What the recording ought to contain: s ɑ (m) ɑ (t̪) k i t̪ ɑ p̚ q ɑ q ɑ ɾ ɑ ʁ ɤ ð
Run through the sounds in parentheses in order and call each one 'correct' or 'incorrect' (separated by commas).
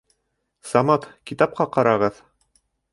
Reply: correct, correct